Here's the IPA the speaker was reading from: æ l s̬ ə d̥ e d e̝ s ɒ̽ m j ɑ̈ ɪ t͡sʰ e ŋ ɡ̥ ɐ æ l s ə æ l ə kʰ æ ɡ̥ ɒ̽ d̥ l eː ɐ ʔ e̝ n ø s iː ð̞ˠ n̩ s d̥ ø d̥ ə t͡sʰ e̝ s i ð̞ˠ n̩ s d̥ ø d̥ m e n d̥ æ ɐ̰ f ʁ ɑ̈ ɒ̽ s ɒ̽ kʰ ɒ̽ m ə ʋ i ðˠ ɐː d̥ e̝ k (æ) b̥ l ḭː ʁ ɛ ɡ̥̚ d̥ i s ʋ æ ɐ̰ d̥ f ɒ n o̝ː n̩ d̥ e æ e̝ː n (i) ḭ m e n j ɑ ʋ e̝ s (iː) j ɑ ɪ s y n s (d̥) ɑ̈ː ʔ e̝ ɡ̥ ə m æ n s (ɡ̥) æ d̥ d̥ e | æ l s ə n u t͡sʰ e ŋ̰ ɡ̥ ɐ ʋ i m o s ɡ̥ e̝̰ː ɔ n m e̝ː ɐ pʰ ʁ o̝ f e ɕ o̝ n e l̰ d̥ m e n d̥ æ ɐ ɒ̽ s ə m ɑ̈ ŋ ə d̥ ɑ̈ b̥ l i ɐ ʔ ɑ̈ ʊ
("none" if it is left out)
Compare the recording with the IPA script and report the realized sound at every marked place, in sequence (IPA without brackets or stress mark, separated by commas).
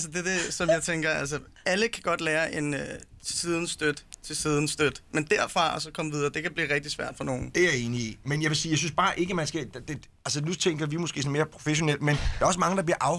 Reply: æ, i, iː, b̥, ɡ̥